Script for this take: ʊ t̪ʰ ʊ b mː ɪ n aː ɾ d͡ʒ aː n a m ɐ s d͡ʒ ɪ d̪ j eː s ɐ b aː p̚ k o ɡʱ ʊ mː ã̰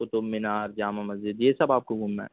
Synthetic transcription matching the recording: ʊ t̪ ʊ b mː ɪ n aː ɾ d͡ʒ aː m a m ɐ z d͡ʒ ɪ d̪ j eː s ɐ b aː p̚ k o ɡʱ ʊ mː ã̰